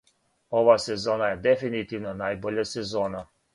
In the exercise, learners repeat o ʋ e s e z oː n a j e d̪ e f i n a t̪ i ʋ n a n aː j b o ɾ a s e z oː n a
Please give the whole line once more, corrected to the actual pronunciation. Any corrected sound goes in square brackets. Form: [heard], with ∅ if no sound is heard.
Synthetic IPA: o ʋ [a] s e z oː n a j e d̪ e f i n [i] t̪ i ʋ n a n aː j b o [ʎ] a s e z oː n a